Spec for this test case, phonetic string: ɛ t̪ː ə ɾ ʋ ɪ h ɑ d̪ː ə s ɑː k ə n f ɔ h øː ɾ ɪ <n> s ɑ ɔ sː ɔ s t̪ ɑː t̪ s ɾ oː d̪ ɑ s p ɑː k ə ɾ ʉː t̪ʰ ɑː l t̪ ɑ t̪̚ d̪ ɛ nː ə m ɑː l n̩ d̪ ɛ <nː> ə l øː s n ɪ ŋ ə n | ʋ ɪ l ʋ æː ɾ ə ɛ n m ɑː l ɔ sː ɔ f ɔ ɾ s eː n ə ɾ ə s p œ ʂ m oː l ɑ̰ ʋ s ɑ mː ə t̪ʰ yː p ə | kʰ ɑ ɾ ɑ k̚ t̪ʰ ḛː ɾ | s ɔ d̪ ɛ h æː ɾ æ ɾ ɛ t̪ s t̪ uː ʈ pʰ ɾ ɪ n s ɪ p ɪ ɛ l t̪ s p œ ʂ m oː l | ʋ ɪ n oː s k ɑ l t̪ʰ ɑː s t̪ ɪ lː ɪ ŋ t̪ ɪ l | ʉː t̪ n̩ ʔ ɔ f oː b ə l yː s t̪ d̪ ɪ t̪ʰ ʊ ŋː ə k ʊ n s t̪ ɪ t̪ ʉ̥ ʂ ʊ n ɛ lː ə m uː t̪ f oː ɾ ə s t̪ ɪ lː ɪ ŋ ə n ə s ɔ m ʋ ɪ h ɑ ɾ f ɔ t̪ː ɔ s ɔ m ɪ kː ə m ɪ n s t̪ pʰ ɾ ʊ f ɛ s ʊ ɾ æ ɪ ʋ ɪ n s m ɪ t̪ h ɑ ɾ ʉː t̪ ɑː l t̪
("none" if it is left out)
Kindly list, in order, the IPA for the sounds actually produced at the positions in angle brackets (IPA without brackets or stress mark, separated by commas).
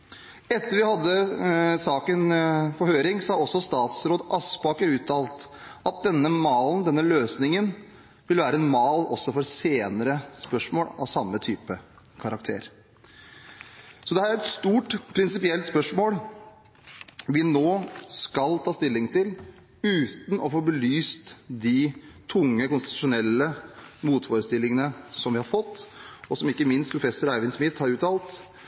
ŋ, nː